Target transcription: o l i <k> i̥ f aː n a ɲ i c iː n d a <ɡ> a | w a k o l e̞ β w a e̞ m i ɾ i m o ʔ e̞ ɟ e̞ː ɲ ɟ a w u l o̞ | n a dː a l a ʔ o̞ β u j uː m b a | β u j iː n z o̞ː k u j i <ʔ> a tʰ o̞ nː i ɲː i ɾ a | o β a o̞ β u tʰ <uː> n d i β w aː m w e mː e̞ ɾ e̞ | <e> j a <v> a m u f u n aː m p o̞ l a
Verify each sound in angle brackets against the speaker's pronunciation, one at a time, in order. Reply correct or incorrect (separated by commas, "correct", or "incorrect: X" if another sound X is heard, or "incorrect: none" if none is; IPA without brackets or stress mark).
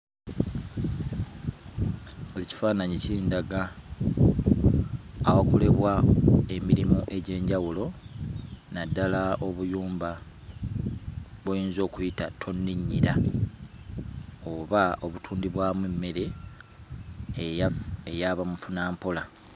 incorrect: c, correct, incorrect: t, correct, correct, incorrect: β